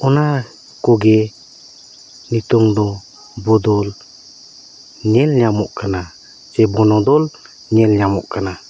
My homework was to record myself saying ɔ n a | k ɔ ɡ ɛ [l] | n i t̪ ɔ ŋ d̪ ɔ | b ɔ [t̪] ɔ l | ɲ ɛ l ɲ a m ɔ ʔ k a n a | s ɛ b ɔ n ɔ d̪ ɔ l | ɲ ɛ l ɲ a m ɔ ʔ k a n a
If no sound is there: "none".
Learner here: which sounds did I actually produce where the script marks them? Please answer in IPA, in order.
none, d̪

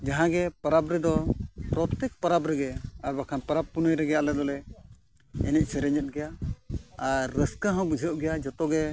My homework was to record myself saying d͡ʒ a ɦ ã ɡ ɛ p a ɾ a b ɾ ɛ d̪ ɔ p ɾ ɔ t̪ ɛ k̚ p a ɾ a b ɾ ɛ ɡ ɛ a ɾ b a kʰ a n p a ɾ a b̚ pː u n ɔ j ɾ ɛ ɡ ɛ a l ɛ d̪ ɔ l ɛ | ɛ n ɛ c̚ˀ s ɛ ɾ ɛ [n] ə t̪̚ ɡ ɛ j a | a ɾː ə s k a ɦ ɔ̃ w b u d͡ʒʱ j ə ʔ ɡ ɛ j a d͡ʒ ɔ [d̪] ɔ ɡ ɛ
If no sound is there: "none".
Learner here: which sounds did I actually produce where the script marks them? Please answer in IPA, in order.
ɲ, t̪

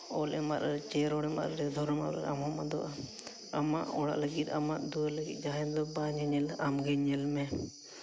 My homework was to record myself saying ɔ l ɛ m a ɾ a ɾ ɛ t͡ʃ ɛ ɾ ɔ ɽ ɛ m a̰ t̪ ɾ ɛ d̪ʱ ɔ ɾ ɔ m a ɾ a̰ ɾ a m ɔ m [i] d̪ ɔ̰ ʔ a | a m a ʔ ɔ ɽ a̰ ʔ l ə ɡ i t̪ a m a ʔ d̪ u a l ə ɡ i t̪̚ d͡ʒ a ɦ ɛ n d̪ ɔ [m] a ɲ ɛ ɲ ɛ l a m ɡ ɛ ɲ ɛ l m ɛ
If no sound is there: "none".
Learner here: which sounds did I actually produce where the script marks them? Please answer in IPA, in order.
a, b

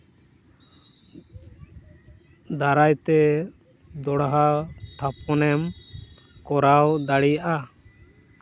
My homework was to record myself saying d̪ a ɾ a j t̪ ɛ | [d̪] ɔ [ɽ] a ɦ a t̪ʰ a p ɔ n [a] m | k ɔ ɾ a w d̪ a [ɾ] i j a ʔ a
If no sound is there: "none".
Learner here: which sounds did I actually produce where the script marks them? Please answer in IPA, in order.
d̪, ɽ, ɛ, ɽ

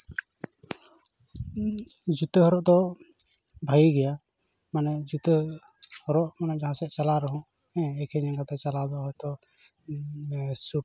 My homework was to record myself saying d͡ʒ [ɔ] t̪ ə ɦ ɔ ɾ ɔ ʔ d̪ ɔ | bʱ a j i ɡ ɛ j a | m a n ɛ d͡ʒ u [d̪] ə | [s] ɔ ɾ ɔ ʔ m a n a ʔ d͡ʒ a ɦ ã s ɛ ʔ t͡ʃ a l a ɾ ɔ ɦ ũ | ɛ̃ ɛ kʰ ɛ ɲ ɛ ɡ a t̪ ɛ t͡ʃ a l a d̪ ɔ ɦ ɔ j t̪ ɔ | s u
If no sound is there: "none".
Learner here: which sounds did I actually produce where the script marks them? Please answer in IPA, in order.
u, t̪, h

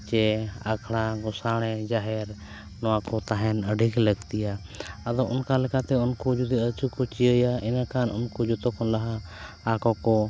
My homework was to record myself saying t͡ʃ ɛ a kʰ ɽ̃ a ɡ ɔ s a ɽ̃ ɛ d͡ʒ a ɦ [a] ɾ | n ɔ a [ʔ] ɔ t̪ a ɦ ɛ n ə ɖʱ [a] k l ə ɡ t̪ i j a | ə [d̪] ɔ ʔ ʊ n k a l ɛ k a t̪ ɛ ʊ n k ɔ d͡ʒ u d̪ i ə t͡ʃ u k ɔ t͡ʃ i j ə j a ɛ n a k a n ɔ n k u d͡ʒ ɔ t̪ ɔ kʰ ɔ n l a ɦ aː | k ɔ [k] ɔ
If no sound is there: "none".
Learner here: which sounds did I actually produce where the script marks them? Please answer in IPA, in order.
ɛ, k, i, d̪, k

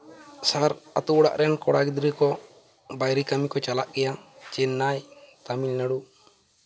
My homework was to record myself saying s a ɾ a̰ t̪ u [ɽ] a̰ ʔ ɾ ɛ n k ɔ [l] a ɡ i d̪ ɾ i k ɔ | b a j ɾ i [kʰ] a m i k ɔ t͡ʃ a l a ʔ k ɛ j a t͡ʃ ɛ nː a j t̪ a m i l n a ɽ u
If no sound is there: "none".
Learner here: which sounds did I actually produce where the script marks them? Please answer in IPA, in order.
ɽ, ɽ, k

